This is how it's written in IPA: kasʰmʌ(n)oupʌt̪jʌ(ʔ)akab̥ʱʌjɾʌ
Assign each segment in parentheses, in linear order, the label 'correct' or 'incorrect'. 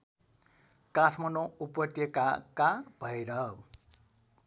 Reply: correct, incorrect: k

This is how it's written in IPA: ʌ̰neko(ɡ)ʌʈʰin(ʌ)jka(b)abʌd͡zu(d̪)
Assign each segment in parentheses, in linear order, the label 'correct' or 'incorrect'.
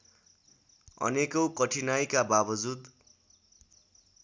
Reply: incorrect: k, incorrect: a, correct, correct

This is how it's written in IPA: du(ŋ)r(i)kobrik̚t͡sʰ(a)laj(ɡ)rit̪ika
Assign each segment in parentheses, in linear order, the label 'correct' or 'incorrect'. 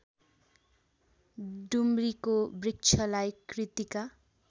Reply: incorrect: m, correct, incorrect: ʌ, incorrect: k

